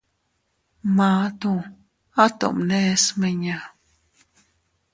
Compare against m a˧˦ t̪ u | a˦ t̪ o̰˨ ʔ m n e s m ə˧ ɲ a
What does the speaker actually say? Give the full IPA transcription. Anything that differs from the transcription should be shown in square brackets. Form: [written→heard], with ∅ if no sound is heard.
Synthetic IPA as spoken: m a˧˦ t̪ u | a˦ t̪ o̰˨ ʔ m n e s m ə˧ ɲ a